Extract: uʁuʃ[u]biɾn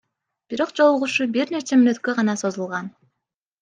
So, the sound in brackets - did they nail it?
yes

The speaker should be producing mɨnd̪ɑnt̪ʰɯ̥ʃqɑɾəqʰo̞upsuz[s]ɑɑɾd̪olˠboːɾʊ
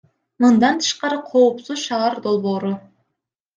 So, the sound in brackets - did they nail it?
no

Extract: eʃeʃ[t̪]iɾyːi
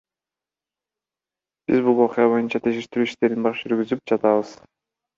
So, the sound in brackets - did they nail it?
yes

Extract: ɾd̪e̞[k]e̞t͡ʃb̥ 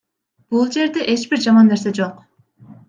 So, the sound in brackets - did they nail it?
no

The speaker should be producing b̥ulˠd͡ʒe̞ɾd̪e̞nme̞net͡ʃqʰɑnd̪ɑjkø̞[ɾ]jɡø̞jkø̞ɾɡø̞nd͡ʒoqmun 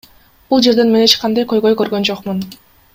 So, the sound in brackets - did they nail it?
no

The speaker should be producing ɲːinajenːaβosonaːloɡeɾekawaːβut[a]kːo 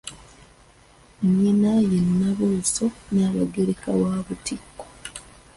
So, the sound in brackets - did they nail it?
no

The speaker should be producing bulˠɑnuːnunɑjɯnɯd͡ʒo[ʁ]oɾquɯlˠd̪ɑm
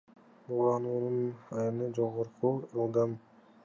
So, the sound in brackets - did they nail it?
yes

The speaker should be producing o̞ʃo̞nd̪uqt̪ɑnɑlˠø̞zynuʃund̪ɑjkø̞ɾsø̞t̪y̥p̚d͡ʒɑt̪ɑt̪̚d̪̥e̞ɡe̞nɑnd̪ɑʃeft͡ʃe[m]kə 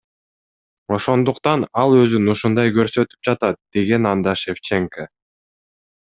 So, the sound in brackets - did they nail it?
no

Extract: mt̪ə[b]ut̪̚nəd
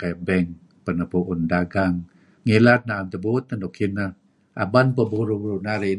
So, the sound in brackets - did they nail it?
yes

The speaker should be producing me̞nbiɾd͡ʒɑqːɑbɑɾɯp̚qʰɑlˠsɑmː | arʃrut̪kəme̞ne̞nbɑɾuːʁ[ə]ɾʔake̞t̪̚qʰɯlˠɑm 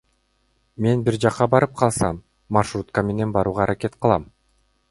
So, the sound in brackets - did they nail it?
no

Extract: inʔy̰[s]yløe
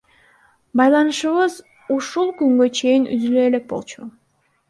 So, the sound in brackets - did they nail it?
no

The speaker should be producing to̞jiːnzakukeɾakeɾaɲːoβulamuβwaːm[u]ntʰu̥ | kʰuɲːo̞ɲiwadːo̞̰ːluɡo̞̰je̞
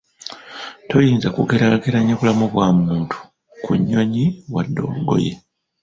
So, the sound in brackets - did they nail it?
no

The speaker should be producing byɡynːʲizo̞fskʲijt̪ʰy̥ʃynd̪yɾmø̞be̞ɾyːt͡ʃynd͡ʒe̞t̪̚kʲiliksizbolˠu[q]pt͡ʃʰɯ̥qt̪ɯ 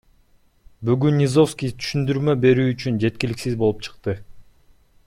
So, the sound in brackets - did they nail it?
no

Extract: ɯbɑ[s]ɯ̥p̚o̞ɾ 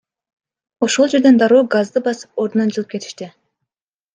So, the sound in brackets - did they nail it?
yes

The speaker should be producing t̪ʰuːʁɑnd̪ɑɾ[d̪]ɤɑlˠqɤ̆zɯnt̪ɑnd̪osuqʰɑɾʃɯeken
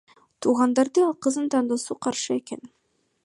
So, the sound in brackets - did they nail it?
yes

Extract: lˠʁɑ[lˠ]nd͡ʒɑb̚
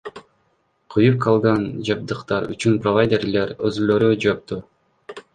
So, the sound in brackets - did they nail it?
no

